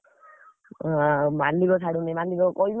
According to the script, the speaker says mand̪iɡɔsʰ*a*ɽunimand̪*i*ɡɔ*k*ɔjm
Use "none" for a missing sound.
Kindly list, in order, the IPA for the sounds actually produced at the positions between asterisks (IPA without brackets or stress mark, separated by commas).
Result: a, i, k